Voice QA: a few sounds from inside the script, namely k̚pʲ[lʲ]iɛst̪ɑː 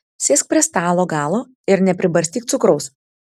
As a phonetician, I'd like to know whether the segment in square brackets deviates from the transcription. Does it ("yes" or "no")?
yes